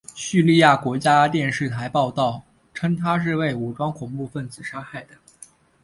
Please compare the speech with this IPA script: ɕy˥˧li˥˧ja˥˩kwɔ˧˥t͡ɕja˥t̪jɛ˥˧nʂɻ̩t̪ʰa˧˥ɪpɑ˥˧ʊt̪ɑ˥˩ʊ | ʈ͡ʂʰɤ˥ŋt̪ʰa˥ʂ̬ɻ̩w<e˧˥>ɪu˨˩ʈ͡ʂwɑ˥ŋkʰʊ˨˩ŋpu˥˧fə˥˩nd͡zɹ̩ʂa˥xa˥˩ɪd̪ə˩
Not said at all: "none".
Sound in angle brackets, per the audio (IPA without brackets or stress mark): e˥˩